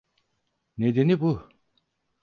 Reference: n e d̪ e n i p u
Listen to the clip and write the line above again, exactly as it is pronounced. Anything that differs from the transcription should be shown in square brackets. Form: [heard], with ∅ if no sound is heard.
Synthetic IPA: n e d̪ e n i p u